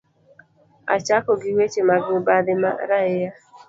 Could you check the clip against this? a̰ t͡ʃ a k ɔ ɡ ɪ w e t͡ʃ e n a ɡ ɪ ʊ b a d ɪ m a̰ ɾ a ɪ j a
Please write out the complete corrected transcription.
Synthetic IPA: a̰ t͡ʃ a k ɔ ɡ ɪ w e t͡ʃ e m a ɡ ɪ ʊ b a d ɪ m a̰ ɾ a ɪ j a